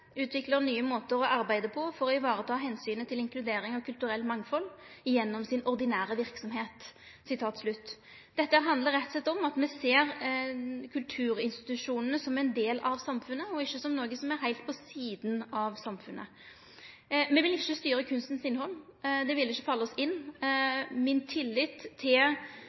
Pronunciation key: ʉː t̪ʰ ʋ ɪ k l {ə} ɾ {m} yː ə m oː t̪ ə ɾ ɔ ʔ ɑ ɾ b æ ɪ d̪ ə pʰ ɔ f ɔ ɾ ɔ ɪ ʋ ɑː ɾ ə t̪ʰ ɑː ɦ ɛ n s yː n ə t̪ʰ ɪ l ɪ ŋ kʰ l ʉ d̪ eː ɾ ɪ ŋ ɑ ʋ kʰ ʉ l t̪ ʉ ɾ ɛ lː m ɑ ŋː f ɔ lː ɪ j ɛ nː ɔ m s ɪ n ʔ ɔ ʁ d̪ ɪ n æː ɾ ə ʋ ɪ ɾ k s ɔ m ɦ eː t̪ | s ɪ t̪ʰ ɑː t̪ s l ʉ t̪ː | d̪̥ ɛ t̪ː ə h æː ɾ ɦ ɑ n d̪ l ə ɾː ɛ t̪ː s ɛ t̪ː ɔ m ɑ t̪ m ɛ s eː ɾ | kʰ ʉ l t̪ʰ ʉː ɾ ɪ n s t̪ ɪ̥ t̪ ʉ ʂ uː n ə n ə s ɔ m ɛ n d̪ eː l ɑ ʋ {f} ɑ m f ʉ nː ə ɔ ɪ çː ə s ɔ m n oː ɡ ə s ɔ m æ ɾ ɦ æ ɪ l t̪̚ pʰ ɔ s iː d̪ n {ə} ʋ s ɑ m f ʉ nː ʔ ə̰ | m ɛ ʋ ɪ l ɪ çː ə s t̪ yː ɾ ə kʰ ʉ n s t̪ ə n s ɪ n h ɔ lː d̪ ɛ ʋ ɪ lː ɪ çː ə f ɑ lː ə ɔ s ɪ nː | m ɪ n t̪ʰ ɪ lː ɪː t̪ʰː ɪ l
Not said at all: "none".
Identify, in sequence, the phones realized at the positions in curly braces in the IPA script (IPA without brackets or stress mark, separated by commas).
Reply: ə, n, s, ɑ